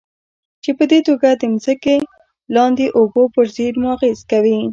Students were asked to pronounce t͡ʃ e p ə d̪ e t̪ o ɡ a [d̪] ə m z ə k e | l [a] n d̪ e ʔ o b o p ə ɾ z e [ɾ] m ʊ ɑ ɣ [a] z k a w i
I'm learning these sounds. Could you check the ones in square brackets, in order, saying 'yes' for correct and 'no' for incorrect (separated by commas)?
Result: yes, no, yes, no